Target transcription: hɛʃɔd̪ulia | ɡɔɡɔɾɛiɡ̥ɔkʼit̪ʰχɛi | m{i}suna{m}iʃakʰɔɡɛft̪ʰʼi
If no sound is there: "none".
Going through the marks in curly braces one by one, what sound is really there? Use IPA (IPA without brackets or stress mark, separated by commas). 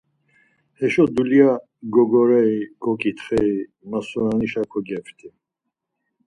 a, n